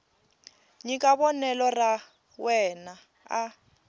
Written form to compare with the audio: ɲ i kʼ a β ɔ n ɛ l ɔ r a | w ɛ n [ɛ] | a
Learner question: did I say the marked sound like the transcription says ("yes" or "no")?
no